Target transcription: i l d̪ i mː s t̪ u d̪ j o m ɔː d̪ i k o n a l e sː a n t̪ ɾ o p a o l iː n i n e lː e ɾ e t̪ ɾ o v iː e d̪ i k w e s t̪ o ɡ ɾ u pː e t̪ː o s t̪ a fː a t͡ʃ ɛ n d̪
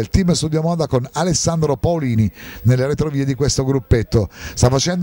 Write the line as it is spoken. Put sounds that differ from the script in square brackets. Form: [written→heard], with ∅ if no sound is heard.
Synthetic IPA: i l [d̪→t̪] i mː s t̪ u d̪ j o m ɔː d̪ [i→a] k o n a l e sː a n [t̪→d̪] ɾ o p a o l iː n i n e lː e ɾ e t̪ ɾ o v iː e d̪ i k w e s t̪ o ɡ ɾ u pː e t̪ː o s t̪ a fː a t͡ʃ ɛ n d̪